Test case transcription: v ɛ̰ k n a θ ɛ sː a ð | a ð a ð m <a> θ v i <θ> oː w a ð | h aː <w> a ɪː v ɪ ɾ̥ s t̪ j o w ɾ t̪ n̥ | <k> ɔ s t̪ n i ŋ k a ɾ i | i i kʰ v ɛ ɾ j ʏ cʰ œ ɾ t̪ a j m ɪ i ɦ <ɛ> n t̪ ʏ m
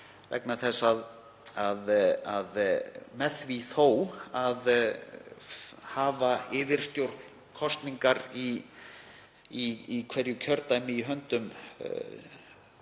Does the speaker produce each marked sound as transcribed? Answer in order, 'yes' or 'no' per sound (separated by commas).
no, yes, no, no, no